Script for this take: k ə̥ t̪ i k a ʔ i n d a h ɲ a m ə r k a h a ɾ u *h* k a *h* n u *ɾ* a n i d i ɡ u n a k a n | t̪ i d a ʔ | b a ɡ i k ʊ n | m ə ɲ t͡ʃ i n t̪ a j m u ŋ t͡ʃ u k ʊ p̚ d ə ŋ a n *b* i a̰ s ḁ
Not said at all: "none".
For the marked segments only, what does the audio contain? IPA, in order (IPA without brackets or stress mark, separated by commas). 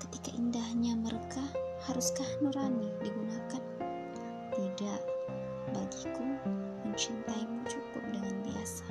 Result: s, h, ɾ, b